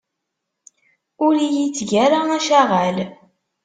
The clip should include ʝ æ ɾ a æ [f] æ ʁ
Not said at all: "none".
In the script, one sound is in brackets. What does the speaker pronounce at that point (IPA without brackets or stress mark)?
ʃ